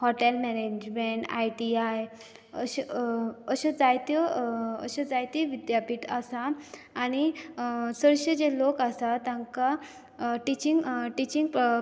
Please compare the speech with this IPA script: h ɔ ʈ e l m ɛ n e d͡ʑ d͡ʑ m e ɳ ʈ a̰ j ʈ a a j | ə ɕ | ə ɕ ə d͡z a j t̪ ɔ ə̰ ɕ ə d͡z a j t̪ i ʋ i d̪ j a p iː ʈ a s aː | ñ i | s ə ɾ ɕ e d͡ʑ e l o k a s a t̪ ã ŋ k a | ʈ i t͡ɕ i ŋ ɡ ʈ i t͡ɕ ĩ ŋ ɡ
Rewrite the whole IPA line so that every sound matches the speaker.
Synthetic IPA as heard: h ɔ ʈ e l m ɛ n e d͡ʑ d͡ʑ m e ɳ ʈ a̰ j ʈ i a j | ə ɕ | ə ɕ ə d͡z a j t̪ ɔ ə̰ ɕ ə d͡z a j t̪ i ʋ i d̪ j a p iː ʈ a s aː | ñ i | s ə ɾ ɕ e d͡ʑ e l o k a s a t̪ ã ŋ k a | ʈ i t͡ɕ i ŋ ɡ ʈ i t͡ɕ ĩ ŋ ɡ